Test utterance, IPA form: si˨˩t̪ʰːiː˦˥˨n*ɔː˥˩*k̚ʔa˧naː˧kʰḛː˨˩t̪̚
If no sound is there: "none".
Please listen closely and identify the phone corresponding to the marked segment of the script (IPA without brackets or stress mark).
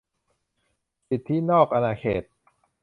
ɔː˥˩